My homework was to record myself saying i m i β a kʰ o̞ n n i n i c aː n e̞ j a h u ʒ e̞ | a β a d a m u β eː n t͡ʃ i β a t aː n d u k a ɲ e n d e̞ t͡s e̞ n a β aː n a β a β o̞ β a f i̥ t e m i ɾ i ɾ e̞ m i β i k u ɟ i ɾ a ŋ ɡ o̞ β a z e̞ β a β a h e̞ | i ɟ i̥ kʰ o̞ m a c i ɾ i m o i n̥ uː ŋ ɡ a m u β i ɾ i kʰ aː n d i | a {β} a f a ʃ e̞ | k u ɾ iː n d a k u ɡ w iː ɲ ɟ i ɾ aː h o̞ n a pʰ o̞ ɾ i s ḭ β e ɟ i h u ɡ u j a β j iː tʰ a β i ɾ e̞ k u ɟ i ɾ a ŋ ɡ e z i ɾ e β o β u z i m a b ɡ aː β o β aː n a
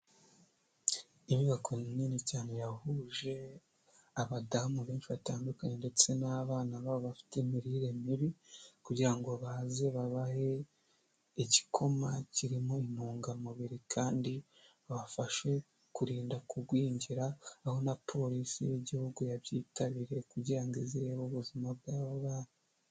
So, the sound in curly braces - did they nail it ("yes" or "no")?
yes